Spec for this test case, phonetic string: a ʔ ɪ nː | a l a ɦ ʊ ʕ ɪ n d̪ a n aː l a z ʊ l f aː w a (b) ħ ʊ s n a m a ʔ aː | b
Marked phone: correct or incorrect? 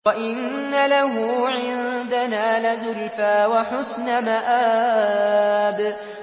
incorrect